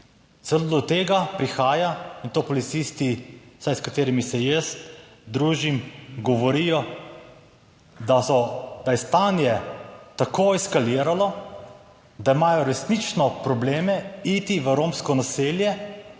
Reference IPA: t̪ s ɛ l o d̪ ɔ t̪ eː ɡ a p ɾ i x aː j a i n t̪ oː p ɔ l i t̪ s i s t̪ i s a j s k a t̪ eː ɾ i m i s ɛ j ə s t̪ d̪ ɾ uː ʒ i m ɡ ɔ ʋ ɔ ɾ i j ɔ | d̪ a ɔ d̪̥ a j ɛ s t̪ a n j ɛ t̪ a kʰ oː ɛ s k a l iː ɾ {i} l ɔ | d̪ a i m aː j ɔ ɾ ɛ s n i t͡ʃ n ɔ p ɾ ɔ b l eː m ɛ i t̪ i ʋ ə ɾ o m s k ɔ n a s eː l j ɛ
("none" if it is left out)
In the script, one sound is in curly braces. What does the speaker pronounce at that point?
a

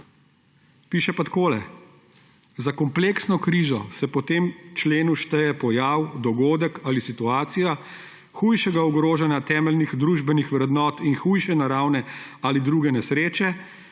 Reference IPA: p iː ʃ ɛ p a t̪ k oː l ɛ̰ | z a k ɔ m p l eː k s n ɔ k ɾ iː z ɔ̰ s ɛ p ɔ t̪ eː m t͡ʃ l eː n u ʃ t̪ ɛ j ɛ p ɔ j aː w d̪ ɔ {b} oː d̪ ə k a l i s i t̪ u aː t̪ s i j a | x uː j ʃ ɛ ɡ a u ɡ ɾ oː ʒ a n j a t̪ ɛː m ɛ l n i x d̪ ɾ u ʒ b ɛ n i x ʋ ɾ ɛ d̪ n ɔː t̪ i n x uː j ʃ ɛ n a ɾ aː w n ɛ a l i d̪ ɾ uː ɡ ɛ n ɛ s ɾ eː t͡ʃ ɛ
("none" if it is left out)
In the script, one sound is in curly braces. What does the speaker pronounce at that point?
ɡ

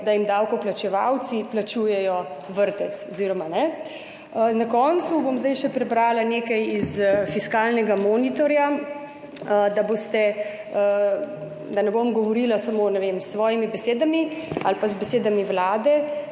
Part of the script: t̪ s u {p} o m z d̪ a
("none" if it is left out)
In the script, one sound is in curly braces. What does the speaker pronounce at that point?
b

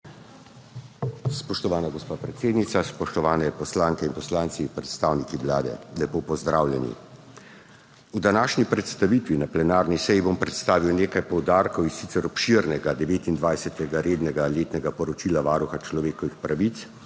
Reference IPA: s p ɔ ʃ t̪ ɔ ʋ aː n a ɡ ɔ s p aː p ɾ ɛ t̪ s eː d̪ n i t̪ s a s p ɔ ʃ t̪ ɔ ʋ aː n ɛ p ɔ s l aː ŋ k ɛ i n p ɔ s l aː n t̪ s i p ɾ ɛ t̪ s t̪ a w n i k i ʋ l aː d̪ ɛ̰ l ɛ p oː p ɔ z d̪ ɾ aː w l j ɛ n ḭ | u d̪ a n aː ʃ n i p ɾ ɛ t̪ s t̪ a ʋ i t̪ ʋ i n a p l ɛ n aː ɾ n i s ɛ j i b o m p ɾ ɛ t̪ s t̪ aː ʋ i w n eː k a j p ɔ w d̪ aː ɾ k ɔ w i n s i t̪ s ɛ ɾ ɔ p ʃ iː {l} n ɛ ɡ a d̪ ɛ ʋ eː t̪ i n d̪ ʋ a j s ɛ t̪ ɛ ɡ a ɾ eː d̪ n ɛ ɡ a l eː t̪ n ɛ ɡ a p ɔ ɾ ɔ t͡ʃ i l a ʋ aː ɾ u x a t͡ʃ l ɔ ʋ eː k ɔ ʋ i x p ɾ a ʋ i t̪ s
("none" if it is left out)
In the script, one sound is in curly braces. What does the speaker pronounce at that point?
ɾ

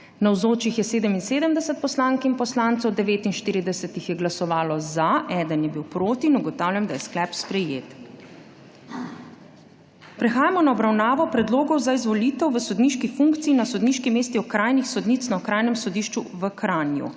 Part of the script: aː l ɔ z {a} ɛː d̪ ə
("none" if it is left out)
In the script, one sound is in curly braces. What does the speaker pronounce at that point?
a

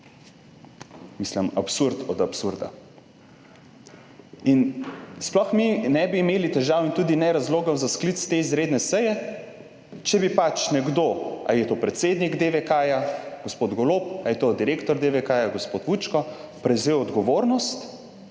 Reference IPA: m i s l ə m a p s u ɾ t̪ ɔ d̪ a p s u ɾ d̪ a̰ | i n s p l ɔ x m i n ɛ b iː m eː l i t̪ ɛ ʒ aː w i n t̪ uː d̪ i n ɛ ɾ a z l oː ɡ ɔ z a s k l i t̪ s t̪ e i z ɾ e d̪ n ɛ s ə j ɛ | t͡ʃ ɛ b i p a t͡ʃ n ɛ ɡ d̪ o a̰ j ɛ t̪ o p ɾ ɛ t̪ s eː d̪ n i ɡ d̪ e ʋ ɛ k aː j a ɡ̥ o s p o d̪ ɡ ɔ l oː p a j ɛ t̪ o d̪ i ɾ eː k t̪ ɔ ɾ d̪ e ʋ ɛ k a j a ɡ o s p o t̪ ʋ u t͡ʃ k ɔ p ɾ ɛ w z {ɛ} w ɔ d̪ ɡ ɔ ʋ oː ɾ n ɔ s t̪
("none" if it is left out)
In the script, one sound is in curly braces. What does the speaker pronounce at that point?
e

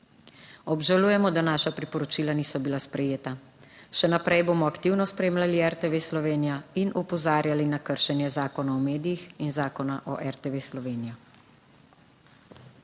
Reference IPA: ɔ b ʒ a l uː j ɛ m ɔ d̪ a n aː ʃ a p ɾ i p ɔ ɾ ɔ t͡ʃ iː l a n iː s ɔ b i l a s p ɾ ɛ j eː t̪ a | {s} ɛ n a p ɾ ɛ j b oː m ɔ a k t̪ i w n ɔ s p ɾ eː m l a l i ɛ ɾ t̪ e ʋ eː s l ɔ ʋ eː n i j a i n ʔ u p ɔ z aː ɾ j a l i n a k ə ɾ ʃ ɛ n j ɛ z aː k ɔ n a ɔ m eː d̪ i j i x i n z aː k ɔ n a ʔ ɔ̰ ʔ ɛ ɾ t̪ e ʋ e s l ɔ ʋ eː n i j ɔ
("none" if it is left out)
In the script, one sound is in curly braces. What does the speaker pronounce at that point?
ʃ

